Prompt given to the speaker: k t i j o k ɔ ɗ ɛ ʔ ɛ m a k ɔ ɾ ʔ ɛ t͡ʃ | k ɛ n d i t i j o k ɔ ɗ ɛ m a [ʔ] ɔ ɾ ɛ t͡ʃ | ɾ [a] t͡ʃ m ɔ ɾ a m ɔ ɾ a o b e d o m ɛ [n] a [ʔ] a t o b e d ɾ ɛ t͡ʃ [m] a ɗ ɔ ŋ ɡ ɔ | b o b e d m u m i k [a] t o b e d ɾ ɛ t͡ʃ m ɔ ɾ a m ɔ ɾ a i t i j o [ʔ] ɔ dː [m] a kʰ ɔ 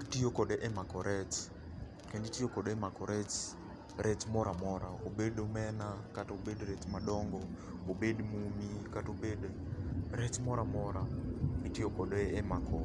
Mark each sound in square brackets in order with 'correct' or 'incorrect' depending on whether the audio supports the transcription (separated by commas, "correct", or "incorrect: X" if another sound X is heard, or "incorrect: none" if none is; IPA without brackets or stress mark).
incorrect: k, incorrect: ɛ, correct, incorrect: k, correct, correct, incorrect: k, correct